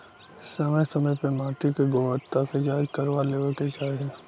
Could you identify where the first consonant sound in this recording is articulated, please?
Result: alveolar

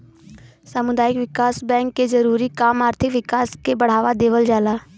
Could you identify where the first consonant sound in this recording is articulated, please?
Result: alveolar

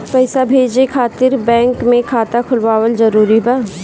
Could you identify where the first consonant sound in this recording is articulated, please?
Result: labial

